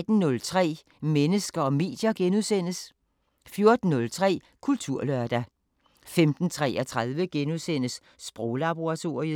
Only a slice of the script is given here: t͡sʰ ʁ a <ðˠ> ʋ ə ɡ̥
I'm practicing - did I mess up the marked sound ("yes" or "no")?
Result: no